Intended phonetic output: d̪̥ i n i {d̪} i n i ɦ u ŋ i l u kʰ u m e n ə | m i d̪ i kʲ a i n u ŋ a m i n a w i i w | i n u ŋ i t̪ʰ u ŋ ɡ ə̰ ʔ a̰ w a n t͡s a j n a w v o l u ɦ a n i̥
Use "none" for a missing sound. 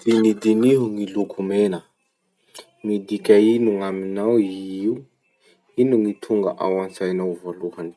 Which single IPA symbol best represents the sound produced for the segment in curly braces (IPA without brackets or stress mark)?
d̪